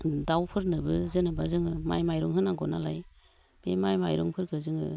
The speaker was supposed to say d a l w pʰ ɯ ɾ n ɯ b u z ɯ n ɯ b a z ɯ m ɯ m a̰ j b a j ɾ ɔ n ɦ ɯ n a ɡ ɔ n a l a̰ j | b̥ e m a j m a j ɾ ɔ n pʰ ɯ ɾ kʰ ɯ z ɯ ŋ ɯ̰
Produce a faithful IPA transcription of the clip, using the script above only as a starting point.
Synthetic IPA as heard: d a w pʰ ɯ ɾ n ɯ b ɯ z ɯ n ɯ b a z ɯ ŋ ɯ m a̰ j m a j ɾ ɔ ŋ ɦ ɯ n a ɡ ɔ n a l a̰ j | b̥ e m a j m a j ɾ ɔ ŋ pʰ ɯ ɾ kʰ ɯ z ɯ ŋ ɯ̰